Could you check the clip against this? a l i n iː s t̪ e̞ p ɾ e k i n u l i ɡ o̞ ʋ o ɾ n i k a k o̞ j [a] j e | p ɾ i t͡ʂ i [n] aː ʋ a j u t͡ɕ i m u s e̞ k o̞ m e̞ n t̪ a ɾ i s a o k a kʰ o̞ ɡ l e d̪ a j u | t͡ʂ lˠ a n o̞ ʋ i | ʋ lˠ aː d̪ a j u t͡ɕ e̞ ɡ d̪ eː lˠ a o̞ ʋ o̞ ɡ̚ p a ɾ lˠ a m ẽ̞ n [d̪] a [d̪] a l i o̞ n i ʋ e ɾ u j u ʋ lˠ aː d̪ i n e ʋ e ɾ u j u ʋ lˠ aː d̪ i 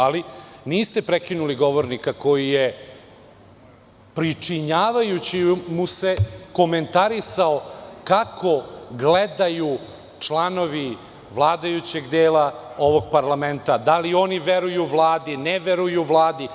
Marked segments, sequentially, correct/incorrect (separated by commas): incorrect, incorrect, incorrect, correct